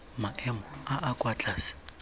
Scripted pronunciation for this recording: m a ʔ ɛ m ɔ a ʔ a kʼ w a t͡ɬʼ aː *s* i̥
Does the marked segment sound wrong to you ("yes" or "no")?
no